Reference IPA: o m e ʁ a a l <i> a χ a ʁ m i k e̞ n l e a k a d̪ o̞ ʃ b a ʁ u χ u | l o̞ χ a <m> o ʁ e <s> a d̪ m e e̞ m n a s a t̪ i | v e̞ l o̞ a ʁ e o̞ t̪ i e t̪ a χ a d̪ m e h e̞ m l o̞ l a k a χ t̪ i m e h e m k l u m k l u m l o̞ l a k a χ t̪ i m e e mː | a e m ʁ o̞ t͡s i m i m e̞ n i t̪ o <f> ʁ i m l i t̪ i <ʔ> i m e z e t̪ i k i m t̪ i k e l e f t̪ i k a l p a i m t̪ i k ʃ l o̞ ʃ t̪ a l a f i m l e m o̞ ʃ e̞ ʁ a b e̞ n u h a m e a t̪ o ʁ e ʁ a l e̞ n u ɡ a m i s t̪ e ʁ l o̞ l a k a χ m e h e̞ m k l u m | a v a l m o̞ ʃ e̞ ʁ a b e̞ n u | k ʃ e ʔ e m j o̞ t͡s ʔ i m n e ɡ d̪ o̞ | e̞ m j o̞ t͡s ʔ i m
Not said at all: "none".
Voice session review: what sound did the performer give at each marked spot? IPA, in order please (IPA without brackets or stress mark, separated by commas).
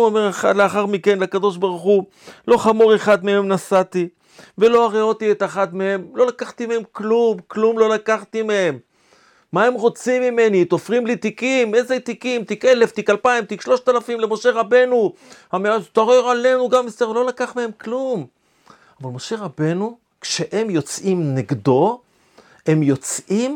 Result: e, m, χ, f, k